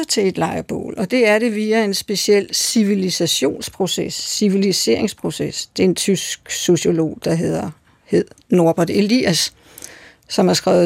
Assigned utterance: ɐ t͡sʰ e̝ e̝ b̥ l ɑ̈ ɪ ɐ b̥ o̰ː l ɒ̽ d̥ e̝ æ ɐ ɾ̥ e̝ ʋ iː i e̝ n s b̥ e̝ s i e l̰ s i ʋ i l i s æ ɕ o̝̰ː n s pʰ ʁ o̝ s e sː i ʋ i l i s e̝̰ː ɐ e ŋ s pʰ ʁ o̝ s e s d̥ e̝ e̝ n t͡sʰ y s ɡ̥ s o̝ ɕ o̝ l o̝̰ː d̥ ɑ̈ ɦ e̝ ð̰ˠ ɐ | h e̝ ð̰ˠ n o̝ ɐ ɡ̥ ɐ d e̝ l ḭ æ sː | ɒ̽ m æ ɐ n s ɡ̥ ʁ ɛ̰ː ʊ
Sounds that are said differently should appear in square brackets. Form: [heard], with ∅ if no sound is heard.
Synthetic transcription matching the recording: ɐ t͡sʰ e̝ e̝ [d̥] l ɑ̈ ɪ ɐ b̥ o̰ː l ɒ̽ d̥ e̝ æ ɐ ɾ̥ e̝ ʋ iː [æ] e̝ n s b̥ e̝ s i e l̰ s i ʋ i l i s æ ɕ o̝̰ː n s pʰ ʁ o̝ s e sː i ʋ i l i s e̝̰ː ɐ e ŋ s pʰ ʁ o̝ s e s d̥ e̝ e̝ n t͡sʰ y s ɡ̥ s o̝ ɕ o̝ l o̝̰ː d̥ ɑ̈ ɦ e̝ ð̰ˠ ɐ | h e̝ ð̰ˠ n o̝ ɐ [b̥] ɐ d e̝ l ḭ æ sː | ɒ̽ m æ ɐ [∅] s ɡ̥ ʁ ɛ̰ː ʊ